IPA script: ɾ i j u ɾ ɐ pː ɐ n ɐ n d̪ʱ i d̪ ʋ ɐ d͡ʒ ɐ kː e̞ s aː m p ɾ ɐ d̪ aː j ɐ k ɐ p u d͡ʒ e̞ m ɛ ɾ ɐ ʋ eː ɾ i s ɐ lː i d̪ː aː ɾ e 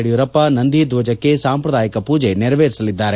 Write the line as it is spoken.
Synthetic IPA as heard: ɽ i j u ɾ ɐ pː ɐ n ɐ n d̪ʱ i d̪ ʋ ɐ d͡ʒ ɐ kː e̞ s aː m p ɾ ɐ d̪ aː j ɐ k ɐ p uː d͡ʒ e̞ n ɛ ɾ ɐ ʋ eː ɾ i s ɐ l i d̪ː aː ɾ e

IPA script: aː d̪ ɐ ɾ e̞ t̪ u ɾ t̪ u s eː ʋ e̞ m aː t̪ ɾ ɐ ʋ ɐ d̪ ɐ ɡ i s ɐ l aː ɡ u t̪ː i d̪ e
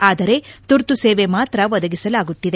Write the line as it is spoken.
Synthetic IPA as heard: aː d̪ ɐ ɾ e̞ t̪ u ɾ t̪ u s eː ʋ e̞ m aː t̪ ɾ ɐ ʋ ɐ d̪ ɐ ɡ i s ɐ l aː ɡ u t̪ː i d̪ e

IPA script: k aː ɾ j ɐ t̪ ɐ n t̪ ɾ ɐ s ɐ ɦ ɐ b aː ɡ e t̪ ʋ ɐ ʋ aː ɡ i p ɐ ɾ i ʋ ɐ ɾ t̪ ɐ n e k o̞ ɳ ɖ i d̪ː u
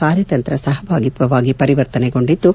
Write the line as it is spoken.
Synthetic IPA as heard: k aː ɾ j ɐ t̪ ɐ n t̪ ɾ ɐ s ɐ ɦ ɐ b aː ɡ i t̪ ʋ ɐ ʋ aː ɡ i p ɐ ɾ i ʋ ɐ ɾ t̪ ɐ n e ɡ o̞ ɳ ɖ i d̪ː u

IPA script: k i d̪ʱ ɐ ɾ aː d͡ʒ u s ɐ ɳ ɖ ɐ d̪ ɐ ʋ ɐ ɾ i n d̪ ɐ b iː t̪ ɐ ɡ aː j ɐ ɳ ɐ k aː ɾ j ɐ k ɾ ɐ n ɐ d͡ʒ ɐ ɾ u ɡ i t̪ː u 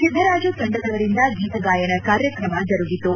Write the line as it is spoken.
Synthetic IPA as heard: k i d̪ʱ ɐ ɾ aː d͡ʒ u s ɐ ɳ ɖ ɐ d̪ ɐ ʋ ɐ ɾ i n d̪ ɐ ɡ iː t̪ ɐ ɡ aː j ɐ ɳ ɐ k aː ɾ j ɐ k ɾ ɐ m ɐ d͡ʒ ɐ ɾ u ɡ i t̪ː u

